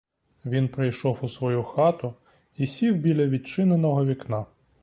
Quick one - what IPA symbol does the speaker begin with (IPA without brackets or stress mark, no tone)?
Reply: ʋʲ